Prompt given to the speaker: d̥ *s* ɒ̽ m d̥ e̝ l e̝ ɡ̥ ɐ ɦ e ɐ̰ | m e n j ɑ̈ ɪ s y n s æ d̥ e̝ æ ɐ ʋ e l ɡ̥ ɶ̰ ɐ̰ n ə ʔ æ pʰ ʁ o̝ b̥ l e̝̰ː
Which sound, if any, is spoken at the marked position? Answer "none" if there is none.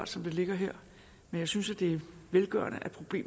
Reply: s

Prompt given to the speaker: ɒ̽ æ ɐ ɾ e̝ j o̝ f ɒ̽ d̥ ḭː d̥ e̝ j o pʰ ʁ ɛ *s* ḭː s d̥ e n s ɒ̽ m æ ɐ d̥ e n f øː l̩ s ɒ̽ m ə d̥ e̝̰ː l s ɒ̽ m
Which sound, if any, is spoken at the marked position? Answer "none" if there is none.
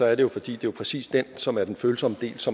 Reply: s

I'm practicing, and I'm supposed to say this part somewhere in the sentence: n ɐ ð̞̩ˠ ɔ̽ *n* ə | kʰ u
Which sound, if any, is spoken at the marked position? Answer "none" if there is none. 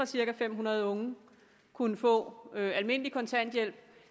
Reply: ŋ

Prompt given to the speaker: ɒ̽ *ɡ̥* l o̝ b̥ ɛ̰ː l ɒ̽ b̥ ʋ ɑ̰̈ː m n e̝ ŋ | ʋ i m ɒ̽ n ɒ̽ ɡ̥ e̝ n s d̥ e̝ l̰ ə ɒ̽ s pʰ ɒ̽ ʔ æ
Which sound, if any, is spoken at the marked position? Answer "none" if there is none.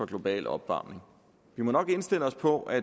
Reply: ɡ̥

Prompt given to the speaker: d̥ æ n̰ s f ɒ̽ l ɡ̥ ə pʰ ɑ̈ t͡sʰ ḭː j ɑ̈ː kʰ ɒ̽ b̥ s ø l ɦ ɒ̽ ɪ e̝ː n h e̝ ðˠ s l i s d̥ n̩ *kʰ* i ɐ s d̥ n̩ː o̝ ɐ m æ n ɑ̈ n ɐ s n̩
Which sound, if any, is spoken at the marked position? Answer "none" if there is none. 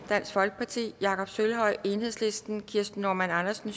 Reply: kʰ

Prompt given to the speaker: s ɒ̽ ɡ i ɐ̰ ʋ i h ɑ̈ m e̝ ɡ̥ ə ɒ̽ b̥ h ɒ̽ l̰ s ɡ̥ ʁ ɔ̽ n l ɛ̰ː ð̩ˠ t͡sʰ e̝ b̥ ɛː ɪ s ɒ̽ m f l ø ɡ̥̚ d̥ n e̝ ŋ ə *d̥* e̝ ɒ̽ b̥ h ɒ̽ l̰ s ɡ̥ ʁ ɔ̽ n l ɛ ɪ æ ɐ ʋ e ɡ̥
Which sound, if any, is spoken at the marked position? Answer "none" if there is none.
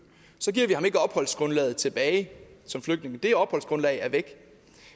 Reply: d̥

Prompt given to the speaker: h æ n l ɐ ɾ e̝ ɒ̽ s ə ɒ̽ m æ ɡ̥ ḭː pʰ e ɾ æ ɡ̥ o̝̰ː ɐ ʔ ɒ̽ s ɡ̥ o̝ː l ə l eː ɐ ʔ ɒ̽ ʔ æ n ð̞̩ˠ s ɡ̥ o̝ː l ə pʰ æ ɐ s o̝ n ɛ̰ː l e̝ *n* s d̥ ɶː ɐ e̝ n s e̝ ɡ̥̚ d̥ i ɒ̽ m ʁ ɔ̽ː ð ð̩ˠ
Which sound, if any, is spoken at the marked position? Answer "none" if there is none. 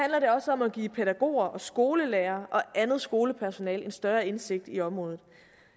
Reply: n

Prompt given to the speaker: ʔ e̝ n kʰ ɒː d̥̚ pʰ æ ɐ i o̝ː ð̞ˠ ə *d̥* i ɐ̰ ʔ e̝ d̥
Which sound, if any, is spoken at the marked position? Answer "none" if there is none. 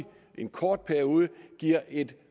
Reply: ɡ̥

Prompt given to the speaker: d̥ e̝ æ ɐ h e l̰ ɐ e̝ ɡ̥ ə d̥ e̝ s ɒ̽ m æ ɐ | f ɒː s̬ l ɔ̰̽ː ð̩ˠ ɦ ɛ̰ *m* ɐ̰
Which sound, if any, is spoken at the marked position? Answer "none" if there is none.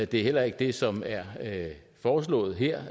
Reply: none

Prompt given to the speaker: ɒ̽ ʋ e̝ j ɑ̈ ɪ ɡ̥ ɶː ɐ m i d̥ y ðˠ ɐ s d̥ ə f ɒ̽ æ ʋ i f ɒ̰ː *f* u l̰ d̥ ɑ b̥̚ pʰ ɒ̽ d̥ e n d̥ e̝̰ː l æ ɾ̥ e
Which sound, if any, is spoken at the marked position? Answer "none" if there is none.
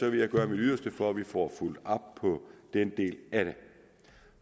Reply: f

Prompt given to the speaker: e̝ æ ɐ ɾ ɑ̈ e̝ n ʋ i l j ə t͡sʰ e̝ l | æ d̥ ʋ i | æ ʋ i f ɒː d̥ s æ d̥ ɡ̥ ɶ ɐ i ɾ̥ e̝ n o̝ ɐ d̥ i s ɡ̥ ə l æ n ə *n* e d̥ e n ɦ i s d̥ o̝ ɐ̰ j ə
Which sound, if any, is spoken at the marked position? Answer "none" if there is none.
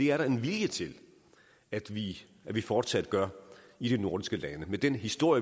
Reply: m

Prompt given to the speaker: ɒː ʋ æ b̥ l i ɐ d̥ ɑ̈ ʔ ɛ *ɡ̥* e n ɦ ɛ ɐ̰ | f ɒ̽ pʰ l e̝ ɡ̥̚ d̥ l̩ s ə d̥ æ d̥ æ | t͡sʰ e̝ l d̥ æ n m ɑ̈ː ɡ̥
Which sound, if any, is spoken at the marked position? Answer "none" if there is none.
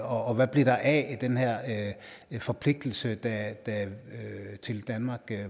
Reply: d̥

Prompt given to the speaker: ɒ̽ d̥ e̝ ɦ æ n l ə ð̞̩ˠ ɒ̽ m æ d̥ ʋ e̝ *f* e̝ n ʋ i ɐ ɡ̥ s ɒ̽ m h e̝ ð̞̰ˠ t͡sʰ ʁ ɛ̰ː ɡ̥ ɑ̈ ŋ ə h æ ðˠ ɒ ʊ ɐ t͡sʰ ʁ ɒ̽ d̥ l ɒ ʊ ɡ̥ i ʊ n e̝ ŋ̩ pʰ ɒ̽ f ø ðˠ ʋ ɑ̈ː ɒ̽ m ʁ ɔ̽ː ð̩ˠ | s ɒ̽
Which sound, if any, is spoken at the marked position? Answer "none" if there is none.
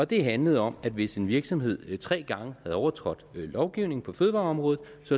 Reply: s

